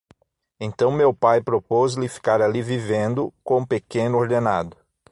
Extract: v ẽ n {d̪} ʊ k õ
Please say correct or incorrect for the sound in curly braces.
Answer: correct